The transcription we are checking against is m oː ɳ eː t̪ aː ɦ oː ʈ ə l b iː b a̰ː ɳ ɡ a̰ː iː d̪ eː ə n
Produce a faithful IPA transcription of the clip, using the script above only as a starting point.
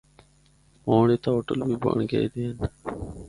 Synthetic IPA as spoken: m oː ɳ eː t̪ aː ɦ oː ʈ ə l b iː b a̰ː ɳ ɡ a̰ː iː d̪ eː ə n